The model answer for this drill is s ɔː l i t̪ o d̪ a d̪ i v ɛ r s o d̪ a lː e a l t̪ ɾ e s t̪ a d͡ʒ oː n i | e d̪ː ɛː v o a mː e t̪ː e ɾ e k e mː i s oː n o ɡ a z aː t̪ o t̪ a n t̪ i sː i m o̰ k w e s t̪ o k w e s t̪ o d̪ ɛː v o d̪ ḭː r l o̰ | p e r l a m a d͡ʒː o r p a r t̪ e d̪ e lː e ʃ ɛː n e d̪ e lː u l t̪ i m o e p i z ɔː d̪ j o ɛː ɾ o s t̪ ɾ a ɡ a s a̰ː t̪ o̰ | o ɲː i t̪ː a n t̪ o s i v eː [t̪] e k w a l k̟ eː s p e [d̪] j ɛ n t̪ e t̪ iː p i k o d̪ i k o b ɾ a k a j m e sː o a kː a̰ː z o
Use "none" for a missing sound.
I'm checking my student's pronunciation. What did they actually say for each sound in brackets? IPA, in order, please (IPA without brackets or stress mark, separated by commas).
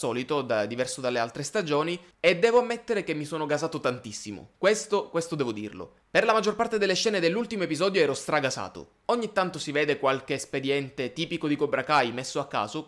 d̪, d̪